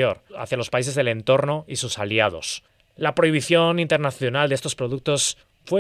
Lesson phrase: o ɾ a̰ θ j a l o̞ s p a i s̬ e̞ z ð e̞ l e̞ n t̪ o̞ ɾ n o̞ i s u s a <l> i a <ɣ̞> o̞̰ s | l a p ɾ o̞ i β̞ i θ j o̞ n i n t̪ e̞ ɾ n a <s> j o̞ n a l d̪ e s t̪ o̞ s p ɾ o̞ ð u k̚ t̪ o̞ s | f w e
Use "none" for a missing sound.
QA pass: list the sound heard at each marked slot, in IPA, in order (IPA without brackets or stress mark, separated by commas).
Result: l, ð̞, θ